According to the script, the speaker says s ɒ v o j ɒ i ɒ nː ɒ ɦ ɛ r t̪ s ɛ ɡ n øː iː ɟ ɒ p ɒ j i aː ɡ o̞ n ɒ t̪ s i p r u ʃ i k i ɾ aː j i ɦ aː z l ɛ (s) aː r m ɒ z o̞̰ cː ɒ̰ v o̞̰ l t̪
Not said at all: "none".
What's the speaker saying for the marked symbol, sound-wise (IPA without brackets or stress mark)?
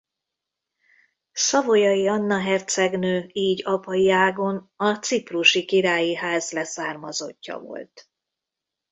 s